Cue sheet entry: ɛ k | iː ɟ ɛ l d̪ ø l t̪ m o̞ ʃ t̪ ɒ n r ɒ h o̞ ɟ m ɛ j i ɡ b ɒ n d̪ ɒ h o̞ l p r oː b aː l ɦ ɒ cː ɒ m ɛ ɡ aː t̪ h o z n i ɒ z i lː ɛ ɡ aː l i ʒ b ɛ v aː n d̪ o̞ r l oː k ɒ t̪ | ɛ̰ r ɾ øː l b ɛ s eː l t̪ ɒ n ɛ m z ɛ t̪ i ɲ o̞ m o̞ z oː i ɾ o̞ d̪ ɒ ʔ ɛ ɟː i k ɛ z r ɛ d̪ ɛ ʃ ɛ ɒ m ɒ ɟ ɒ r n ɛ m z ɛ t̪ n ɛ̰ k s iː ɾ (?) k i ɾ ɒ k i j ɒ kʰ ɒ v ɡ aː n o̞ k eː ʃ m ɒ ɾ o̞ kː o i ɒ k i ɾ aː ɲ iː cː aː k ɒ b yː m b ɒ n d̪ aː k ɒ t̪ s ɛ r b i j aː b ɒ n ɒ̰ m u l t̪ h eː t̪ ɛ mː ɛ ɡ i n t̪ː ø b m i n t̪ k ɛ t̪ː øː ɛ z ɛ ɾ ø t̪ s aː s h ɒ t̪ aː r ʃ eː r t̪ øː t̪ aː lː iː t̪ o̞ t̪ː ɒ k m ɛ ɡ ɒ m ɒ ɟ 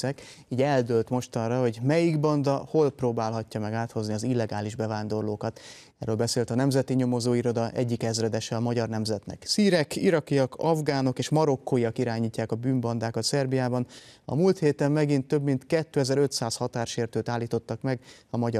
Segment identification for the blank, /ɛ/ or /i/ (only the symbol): ɛ